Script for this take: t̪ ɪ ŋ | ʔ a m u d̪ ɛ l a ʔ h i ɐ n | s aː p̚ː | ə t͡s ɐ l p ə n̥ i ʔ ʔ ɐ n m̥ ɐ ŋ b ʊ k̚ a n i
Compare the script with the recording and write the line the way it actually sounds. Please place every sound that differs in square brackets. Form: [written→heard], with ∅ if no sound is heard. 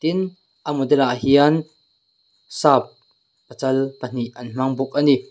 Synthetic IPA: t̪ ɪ [ŋ→n] | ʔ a m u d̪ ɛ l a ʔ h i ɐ n | s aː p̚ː | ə t͡s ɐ l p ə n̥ i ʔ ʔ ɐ n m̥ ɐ ŋ b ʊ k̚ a n i